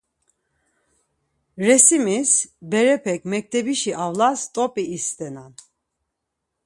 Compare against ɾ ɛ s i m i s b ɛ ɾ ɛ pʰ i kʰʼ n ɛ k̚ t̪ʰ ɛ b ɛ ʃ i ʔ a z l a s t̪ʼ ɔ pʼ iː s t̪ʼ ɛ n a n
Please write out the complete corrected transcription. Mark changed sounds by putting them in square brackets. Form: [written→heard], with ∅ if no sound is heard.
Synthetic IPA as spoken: ɾ ɛ s i m i s b ɛ ɾ ɛ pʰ [i→ɛ] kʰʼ [n→m] ɛ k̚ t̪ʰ ɛ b [ɛ→i] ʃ i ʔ a [z→v] l a s t̪ʼ ɔ pʼ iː s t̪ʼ ɛ n a n